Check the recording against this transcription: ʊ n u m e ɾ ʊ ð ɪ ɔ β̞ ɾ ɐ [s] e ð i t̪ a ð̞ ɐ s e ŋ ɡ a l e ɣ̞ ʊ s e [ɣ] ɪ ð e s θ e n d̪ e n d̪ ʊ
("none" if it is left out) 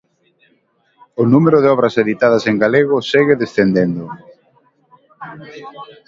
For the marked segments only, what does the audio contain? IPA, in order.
s, ɣ

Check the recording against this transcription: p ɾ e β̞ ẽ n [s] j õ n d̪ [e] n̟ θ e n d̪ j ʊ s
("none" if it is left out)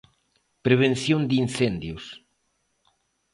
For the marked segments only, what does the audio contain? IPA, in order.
θ, i

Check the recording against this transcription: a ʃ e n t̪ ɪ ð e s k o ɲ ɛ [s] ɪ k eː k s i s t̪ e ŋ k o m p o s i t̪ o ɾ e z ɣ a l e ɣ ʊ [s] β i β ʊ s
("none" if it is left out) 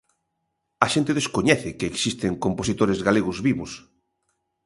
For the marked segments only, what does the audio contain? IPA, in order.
θ, z

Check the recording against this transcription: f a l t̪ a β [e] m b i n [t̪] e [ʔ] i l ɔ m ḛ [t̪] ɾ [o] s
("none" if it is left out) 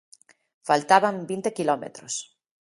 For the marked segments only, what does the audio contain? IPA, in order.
a, t̪, k, t̪, o

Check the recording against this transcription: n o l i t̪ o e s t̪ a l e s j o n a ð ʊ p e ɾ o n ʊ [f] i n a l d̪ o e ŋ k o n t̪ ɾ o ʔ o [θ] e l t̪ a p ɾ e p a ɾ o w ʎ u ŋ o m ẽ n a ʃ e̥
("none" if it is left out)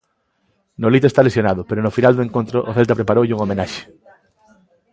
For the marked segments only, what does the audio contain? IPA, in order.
f, θ

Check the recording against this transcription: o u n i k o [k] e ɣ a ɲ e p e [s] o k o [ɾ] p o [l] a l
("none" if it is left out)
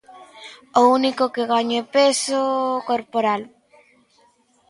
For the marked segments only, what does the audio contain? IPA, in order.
k, s, ɾ, ɾ

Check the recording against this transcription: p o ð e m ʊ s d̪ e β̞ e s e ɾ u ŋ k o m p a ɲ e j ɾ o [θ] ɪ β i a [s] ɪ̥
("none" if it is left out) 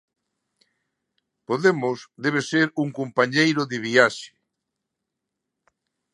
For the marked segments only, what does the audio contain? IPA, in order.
ð, ʃ

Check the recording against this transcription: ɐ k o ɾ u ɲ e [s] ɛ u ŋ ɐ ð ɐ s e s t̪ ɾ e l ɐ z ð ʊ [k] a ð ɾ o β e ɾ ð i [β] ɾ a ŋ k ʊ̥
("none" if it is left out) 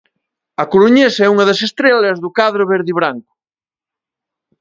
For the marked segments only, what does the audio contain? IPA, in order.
s, k, β

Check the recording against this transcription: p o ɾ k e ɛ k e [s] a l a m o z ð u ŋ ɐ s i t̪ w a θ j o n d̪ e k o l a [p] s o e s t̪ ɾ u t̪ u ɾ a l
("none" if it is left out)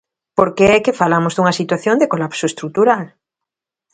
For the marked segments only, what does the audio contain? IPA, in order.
f, p

